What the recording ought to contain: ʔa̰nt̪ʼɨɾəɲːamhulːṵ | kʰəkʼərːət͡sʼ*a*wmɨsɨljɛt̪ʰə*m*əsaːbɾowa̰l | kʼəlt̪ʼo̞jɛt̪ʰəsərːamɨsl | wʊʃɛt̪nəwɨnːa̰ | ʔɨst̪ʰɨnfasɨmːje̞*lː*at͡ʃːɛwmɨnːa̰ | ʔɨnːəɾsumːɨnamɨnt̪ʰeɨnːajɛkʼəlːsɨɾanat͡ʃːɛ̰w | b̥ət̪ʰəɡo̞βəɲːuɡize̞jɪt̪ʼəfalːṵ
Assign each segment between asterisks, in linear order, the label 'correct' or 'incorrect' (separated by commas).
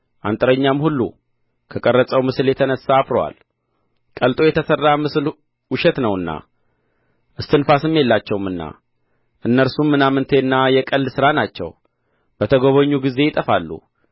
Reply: incorrect, incorrect, correct